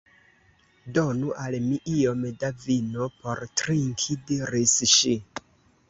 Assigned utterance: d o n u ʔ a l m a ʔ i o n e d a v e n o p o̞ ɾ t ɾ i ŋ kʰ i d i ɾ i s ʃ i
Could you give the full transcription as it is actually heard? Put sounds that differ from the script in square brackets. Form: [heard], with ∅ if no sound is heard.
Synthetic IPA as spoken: d o n u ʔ a l m [i] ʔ i o [m] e d a v [i] n o p o̞ ɾ t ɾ i ŋ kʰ i d i ɾ i s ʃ i